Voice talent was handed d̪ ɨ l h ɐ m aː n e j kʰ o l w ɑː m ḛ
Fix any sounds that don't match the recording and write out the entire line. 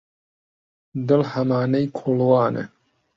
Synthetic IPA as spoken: d̪ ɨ l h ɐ m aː n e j kʰ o l w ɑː n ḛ